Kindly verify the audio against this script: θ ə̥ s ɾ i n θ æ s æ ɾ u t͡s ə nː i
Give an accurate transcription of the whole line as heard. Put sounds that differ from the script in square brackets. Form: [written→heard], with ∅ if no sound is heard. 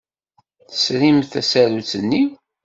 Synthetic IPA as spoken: θ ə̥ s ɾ i [n→m] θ æ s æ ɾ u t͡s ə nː i

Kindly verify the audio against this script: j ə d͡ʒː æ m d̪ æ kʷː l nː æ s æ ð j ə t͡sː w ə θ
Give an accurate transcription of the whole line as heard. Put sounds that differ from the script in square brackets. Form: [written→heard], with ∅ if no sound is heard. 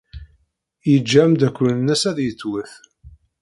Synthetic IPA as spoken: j ə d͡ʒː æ m d̪ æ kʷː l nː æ s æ ð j ə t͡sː w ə θ

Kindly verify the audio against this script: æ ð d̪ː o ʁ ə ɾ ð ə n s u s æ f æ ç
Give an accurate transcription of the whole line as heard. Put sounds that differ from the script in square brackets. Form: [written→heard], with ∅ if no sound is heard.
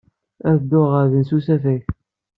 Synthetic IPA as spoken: æ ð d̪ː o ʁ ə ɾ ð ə n s u s æ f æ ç

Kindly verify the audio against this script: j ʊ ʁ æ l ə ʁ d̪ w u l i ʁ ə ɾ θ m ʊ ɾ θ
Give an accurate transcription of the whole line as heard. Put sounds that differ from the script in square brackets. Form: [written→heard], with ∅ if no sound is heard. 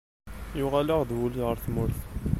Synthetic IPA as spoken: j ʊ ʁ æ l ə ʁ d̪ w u l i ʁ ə ɾ θ m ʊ ɾ θ

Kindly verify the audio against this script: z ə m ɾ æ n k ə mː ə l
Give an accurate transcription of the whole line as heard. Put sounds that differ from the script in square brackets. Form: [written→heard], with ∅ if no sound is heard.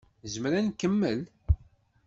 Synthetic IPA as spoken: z ə m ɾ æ n k ə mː ə l

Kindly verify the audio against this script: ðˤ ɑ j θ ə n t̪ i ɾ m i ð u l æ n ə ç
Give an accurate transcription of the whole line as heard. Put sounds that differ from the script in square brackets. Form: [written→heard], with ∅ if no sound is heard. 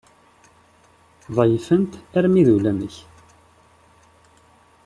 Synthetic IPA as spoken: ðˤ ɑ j [θ→f] ə n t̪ [i→æ] ɾ m i ð u l æ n ə ç

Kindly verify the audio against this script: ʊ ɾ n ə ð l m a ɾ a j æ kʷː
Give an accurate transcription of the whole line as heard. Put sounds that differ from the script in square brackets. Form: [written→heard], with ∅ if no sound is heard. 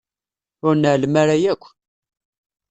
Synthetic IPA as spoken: ʊ ɾ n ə [ð→ʕ] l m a ɾ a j æ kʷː

